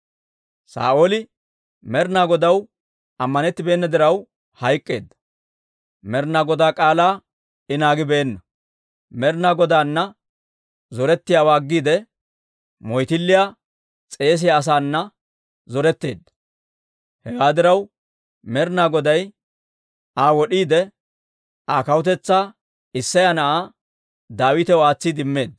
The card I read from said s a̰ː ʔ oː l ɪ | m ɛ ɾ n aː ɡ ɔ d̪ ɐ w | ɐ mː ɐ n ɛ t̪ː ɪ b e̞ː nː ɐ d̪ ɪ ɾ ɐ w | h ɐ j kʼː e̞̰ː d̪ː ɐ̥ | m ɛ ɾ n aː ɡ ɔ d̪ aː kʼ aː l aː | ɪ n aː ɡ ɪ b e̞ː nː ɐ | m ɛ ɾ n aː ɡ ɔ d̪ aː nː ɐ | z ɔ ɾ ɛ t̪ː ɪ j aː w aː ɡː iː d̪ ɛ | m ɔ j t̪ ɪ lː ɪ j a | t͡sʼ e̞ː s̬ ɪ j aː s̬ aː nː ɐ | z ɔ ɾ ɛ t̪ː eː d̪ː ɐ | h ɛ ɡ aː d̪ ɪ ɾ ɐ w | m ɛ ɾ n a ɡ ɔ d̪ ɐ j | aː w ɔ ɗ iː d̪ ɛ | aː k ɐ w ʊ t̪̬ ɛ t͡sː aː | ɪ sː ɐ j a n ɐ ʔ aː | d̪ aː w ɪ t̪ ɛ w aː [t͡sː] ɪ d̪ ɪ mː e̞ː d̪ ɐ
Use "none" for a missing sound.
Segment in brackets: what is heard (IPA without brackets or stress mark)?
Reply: t͡sː